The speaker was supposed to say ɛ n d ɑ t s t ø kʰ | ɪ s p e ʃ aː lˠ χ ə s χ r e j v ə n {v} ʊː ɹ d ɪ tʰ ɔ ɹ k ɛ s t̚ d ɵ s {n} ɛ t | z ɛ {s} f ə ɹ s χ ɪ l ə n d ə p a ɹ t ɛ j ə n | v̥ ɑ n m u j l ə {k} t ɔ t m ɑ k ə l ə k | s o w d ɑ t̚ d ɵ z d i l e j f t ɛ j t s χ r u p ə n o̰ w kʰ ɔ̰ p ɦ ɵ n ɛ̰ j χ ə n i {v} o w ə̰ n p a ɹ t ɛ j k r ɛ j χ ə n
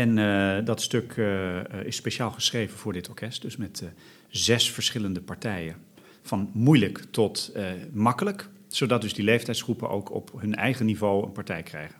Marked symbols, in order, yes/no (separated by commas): yes, no, yes, yes, yes